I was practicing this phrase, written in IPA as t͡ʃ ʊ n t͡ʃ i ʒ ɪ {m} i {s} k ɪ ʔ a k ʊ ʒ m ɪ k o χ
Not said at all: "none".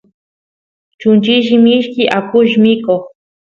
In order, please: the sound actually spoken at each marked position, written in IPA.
m, ʃ

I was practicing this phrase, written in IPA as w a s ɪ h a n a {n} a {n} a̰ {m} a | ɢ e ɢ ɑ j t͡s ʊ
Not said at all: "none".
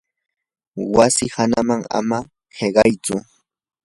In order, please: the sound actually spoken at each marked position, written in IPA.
m, ŋ, m

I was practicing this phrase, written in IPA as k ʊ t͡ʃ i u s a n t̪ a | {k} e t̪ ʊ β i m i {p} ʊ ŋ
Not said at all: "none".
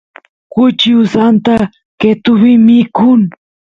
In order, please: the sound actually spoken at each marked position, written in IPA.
k, k

